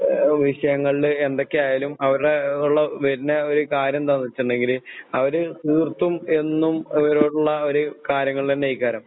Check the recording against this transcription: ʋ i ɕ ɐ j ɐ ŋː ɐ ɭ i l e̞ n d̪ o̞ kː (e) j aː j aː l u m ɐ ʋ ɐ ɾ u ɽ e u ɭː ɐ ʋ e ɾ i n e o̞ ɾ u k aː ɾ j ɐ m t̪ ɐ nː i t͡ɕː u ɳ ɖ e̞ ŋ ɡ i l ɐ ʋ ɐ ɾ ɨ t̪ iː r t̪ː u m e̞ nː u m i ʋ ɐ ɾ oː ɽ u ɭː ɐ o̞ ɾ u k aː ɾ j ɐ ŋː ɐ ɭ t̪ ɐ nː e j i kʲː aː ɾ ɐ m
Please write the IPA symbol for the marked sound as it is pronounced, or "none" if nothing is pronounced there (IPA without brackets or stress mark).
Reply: e